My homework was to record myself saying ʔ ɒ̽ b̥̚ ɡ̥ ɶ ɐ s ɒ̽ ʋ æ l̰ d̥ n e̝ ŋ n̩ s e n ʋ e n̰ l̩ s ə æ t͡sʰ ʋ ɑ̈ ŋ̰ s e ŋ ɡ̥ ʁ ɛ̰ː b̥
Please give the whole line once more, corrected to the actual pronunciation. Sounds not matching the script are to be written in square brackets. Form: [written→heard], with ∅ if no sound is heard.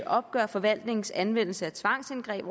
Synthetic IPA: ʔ ɒ̽ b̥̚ ɡ̥ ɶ ɐ [s→f] ɒ̽ ʋ æ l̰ d̥ n e̝ ŋ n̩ s [e→æ] n ʋ e n̰ l̩ s ə æ t͡sʰ ʋ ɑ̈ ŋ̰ s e [ŋ→n] ɡ̥ ʁ ɛ̰ː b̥